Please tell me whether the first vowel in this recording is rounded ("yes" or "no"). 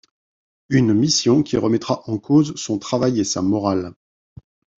yes